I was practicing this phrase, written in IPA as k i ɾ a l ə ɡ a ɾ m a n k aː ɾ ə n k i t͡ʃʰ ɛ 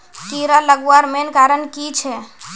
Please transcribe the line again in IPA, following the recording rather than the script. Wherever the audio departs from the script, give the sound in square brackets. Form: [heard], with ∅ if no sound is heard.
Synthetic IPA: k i ɾ a l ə ɡ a ɾ m [e] n k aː ɾ ə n k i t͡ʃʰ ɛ